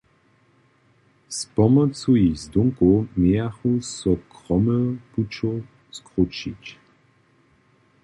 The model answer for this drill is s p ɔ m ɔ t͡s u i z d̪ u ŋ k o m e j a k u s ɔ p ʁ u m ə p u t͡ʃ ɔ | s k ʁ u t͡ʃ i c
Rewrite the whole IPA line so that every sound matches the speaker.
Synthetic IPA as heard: s p ɔ m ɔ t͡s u i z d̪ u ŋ k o m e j a x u s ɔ k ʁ ɔ m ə p u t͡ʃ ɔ | s k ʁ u t͡ʃ i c